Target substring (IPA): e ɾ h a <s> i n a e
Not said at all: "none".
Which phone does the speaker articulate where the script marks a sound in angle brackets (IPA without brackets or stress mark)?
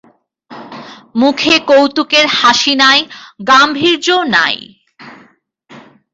ʃ